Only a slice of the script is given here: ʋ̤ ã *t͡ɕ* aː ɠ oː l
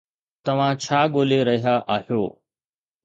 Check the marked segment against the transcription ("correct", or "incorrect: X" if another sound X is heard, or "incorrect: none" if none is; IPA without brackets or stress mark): incorrect: t͡ɕʰ